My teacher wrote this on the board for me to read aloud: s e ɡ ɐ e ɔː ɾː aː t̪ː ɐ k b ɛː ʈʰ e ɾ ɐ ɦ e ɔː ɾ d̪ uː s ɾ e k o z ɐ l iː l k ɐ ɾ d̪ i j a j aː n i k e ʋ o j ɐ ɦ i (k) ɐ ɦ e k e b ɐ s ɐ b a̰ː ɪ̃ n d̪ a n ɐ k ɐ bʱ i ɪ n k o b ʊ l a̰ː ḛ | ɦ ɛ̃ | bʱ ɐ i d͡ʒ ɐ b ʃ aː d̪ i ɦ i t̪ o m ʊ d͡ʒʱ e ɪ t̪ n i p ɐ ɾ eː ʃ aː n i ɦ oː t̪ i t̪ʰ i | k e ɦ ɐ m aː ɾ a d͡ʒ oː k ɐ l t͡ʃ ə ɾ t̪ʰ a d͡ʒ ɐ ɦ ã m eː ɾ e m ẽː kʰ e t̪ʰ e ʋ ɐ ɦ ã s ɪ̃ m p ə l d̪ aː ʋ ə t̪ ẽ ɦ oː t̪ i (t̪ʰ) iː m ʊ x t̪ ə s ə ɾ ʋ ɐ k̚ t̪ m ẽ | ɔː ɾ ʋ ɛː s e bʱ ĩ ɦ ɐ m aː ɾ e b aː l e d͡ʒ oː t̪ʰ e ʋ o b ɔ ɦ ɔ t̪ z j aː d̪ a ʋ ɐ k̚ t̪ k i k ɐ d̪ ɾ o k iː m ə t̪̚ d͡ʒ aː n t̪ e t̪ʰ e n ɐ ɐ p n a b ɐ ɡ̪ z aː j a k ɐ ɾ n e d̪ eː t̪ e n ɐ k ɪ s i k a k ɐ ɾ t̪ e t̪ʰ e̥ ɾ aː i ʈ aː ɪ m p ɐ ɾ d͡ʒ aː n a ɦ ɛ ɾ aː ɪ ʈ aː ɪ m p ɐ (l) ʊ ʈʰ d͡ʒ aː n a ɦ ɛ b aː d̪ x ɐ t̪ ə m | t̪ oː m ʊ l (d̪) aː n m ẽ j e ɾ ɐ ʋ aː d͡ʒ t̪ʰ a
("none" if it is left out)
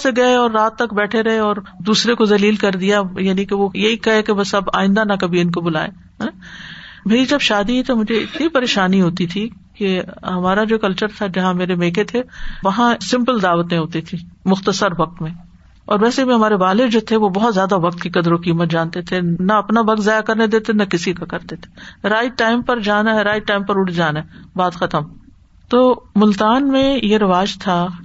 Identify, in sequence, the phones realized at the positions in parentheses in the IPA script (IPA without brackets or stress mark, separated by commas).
k, t̪ʰ, ɾ, t̪